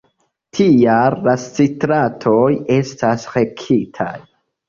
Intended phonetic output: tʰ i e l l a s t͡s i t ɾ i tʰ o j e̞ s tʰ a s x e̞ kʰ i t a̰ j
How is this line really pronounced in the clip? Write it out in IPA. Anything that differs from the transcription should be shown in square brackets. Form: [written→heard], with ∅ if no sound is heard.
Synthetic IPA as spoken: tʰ i [e→a] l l a s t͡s i t ɾ [i→a] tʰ o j e̞ s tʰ a s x e̞ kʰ i [t→tʰ] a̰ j